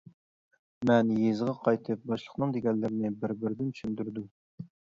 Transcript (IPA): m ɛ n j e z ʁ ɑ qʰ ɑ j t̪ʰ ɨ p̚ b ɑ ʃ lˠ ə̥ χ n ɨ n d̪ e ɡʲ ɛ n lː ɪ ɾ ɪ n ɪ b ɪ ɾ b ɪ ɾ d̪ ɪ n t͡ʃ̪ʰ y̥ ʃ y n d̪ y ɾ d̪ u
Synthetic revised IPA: m ɛ n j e z ʁ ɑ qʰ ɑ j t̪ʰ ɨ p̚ b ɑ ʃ lˠ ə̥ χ n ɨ ŋ d̪ e ɡʲ ɛ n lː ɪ ɾ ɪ n ɪ b ɪ ɾ b ɪ ɾ d̪ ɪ n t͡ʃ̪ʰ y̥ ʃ y n d̪ y ɾ d̪ u